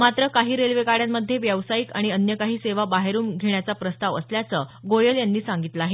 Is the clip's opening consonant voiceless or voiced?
voiced